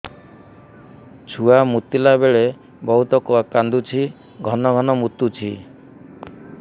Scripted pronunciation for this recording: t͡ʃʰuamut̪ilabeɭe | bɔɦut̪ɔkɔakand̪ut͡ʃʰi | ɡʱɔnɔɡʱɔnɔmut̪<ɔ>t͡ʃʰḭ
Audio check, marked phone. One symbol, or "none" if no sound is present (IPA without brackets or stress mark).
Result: u